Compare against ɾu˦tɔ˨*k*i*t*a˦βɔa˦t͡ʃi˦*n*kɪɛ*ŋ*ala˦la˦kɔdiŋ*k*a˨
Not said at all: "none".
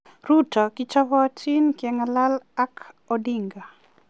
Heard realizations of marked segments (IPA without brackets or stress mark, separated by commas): k, t͡ʃ, n, ŋ, ɡ